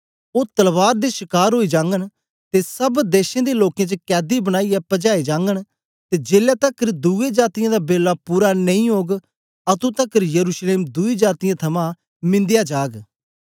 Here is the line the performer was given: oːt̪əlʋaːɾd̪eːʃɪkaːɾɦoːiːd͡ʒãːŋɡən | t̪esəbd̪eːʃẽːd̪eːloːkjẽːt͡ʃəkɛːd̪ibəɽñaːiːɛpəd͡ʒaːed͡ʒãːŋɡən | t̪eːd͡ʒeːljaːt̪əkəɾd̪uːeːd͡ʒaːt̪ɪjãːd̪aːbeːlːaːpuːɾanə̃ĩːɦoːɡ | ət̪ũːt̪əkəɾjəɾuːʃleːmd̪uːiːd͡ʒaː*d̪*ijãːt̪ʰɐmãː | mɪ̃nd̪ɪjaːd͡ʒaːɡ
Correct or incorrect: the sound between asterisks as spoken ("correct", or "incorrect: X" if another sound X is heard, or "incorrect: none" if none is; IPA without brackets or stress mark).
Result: incorrect: t̪